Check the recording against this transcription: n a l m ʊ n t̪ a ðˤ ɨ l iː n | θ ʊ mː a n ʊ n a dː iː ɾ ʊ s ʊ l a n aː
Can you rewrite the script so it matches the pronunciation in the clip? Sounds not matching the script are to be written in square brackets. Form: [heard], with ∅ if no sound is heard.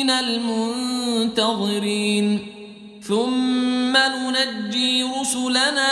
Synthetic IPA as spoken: n a l m ʊ n t̪ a ðˤ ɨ [ɾ] iː n | θ ʊ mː a n ʊ n a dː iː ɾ ʊ s ʊ l a n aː